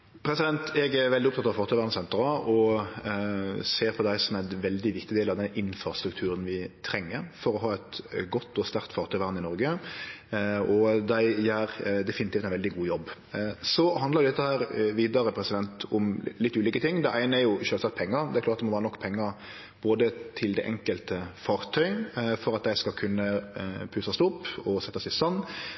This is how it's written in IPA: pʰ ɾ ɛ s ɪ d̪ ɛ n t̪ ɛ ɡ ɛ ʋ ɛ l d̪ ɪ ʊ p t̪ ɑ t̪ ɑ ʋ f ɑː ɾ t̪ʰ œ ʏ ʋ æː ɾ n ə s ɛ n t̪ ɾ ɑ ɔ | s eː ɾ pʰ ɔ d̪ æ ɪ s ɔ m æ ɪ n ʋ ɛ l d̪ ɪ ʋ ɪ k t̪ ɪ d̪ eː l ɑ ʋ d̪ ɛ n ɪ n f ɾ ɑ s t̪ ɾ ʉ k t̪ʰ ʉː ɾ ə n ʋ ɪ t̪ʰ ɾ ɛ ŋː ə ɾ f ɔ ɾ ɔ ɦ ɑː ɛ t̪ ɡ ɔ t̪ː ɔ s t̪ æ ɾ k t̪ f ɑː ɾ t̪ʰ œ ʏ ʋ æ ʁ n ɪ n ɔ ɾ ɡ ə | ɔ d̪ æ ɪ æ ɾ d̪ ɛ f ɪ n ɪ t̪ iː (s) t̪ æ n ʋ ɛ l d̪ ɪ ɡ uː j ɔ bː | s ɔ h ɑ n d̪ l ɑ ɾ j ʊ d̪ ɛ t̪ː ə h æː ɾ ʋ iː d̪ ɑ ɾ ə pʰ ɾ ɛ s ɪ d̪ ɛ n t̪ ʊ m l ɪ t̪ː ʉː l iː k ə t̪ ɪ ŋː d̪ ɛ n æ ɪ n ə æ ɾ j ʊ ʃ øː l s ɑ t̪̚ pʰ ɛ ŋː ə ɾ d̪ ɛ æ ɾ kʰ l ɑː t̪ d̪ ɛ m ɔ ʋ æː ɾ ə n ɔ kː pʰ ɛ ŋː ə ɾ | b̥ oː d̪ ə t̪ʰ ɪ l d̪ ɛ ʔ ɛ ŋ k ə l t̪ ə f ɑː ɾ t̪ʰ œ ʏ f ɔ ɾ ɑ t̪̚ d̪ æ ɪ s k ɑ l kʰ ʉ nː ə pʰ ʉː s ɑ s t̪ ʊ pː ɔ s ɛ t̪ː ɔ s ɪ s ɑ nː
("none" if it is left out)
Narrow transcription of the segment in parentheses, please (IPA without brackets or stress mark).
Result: f